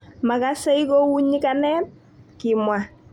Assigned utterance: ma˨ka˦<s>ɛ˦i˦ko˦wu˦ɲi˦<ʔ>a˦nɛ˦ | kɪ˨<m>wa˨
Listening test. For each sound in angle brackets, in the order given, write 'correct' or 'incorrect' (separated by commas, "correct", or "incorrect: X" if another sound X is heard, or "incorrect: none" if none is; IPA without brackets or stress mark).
correct, incorrect: k, correct